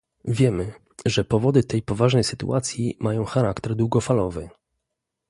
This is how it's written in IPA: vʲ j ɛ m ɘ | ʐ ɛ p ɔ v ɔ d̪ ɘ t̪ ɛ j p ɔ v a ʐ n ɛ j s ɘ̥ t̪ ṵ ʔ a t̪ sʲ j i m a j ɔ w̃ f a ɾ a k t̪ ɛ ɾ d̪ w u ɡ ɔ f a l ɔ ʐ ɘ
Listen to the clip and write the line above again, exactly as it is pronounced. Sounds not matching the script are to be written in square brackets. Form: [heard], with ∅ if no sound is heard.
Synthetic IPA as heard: vʲ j ɛ m ɘ | ʐ ɛ p ɔ v ɔ d̪ ɘ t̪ ɛ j p ɔ v a ʐ n ɛ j s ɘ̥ t̪ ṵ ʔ a t̪ sʲ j i m a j [ɔ̃] w̃ [x] a ɾ a k t̪ ɛ ɾ d̪ w u ɡ ɔ f a l ɔ [v] ɘ